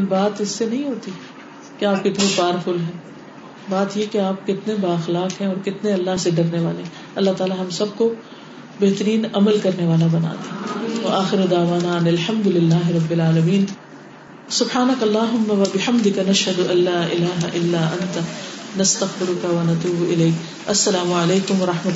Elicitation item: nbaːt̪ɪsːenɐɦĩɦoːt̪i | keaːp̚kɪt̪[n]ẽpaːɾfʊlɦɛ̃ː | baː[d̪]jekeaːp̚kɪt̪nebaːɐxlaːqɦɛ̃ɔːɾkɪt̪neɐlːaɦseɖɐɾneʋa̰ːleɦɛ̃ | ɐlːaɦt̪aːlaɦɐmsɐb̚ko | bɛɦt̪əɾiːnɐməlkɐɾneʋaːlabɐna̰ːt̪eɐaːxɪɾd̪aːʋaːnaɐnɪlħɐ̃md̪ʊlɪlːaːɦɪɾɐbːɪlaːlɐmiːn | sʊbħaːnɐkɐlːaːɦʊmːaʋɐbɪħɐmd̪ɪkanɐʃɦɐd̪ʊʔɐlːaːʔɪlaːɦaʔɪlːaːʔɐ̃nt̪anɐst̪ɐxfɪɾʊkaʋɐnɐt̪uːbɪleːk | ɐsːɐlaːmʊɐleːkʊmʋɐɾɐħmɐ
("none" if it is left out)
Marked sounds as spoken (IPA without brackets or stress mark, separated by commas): n, t̪